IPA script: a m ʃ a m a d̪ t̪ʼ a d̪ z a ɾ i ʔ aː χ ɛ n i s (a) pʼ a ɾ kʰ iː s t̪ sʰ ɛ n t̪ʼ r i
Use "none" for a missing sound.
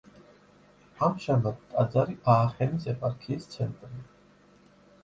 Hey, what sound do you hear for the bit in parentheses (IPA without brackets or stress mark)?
ɛ